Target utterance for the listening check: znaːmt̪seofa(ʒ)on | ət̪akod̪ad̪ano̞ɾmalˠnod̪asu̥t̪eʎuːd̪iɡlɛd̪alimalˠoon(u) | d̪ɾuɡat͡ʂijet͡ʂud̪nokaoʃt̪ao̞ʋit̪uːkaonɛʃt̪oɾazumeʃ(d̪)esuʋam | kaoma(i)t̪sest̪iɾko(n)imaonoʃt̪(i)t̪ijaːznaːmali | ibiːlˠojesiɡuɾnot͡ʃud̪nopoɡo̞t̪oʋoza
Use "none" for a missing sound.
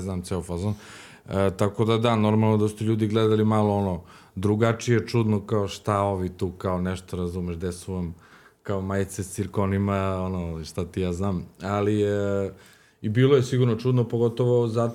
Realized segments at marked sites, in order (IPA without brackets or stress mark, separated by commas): z, o, d̪, j, n, a